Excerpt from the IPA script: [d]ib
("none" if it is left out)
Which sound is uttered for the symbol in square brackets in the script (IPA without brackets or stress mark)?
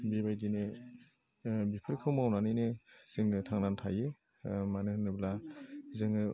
b